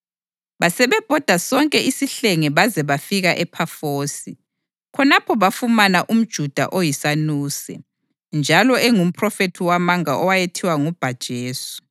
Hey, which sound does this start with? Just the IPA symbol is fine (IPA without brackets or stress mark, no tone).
β